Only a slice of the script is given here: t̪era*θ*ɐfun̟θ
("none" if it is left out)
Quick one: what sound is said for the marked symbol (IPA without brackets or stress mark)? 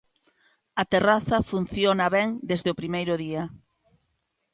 θ